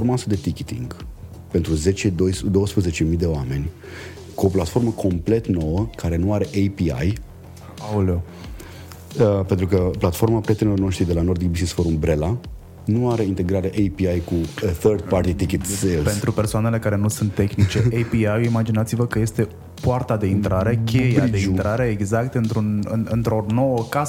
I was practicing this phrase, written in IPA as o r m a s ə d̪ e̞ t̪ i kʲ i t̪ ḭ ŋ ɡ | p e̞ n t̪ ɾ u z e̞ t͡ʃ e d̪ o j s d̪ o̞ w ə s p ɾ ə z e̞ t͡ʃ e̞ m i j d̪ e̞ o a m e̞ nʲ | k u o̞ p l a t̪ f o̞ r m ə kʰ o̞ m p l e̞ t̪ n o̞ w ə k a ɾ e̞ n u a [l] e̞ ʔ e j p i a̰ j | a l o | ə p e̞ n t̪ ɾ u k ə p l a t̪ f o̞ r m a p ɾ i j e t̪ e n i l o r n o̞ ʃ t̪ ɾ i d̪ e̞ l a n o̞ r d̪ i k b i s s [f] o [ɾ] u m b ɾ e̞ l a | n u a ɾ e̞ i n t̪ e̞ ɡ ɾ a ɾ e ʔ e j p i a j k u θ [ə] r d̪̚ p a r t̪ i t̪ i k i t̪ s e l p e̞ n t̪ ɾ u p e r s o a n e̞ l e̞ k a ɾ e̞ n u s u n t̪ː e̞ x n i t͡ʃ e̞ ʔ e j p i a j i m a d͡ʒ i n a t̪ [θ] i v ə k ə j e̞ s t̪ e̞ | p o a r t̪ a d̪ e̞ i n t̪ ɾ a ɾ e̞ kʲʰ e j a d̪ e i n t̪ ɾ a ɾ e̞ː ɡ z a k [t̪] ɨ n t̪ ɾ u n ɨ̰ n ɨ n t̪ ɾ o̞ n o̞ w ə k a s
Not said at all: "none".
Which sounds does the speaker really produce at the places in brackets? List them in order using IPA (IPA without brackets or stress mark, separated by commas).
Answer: ɾ, f, ɾ, ə, s, t̪